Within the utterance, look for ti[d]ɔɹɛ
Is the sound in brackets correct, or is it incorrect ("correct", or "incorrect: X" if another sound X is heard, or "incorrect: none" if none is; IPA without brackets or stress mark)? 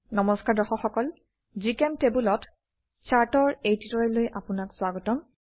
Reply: incorrect: t